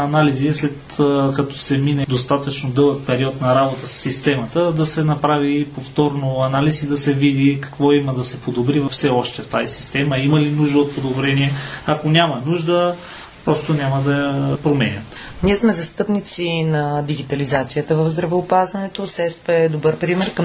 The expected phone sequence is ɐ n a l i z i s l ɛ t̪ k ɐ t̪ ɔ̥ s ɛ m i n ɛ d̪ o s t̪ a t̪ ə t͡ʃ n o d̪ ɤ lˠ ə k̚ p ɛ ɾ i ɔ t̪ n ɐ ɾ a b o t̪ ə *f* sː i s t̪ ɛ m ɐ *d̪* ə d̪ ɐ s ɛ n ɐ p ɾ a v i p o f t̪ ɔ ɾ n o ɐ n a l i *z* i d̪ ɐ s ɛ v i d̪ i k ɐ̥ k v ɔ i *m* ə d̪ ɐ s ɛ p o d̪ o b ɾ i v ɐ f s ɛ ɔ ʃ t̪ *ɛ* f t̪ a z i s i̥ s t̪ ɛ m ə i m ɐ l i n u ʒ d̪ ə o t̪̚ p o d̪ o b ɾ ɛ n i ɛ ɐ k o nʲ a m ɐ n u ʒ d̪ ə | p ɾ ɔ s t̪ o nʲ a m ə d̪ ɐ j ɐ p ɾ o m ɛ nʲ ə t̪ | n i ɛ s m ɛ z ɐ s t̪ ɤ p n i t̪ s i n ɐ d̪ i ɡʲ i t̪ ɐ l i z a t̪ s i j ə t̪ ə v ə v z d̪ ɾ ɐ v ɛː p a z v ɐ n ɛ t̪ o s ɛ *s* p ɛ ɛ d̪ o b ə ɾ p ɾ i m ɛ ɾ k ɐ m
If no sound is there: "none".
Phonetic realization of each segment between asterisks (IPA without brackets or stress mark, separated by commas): s, t̪, s, m, ɛ, s